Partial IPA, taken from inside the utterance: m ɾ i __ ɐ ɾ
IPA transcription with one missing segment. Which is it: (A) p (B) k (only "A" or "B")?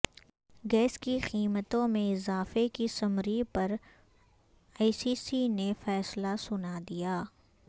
A